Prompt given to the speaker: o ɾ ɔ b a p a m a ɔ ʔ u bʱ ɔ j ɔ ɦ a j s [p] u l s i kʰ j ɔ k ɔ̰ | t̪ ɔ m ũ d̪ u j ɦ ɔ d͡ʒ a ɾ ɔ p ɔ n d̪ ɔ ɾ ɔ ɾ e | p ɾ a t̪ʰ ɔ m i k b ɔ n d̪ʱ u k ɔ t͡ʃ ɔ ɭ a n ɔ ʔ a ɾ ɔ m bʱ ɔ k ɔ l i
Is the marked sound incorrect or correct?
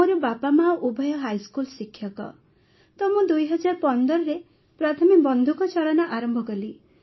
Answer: incorrect